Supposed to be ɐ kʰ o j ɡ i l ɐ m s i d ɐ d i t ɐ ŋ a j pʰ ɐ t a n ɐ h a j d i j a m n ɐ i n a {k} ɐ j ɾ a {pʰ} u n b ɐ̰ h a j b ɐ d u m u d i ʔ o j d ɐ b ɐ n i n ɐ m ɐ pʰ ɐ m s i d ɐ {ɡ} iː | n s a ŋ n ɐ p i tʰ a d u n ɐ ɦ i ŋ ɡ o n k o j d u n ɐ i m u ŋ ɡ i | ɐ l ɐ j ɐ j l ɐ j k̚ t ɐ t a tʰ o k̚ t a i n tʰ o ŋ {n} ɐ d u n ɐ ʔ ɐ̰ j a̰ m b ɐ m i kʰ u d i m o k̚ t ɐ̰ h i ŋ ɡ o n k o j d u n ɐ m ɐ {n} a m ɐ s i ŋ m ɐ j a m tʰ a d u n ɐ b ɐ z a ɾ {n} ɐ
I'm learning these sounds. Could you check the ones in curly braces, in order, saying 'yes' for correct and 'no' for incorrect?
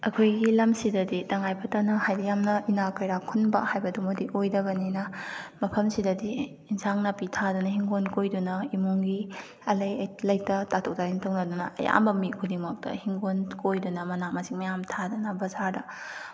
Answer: yes, no, no, yes, yes, no

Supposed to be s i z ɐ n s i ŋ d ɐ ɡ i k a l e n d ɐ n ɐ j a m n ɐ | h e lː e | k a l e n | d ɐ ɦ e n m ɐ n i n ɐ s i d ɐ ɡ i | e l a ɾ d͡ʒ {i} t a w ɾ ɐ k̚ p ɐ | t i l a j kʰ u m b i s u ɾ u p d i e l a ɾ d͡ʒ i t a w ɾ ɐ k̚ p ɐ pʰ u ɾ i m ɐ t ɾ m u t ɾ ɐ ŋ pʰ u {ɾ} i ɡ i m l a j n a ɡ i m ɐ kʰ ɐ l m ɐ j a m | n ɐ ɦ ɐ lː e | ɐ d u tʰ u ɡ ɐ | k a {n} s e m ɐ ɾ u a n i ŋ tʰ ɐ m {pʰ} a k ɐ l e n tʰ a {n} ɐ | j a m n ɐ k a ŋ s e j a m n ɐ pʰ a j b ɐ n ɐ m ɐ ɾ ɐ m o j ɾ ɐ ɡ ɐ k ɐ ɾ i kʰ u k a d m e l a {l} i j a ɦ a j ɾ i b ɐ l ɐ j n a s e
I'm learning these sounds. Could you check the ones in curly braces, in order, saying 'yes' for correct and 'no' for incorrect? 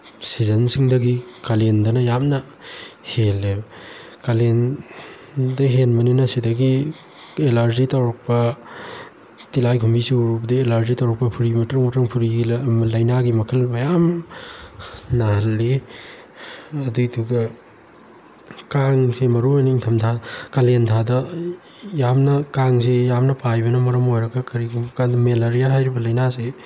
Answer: yes, yes, no, no, no, no

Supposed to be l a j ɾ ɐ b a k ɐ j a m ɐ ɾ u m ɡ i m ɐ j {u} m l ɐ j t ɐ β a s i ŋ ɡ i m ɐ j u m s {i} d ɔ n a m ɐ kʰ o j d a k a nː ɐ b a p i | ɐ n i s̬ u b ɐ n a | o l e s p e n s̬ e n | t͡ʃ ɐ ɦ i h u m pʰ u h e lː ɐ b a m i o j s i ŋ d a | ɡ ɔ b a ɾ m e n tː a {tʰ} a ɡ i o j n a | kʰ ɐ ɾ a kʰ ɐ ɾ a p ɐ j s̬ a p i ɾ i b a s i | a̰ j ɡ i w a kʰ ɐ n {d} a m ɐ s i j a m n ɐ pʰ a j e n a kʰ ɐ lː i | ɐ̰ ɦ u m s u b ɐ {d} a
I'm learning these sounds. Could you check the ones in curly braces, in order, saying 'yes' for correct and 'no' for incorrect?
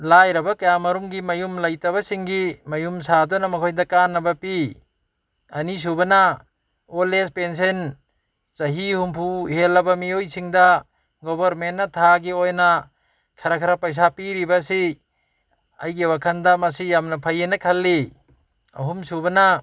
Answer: yes, no, yes, yes, no

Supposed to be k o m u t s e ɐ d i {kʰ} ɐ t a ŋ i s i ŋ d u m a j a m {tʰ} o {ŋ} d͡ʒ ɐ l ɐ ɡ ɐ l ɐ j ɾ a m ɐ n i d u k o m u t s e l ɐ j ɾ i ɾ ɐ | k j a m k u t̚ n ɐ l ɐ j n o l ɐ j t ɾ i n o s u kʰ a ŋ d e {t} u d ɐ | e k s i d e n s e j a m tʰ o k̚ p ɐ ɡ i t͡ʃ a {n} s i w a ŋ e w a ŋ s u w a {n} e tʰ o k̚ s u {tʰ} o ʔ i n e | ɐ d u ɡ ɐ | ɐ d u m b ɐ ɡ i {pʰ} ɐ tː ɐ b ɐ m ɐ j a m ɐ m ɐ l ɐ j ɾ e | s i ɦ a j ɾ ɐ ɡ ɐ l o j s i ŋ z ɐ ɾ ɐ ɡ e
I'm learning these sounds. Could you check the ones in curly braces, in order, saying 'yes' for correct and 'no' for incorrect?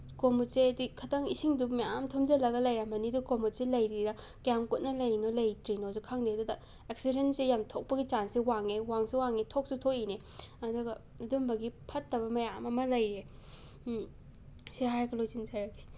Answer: yes, yes, no, no, yes, no, yes, yes

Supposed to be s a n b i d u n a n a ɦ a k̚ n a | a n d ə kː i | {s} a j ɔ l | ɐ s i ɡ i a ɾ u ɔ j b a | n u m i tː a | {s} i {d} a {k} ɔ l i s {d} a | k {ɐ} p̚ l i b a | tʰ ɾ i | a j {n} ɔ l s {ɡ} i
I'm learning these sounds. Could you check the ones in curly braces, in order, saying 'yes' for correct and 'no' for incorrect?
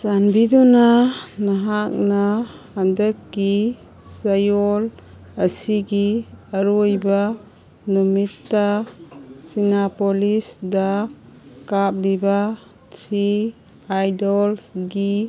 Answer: yes, yes, no, no, yes, no, no, yes

